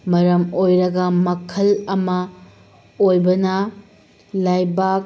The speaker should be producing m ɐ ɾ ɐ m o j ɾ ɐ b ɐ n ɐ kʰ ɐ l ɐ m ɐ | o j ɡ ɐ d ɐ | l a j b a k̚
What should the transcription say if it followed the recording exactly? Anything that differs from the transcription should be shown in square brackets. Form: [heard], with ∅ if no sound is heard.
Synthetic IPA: m ɐ ɾ ɐ m o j ɾ ɐ [ɡ] ɐ [m] ɐ kʰ ɐ l ɐ m ɐ | o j [b] ɐ [n] ɐ | l a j b a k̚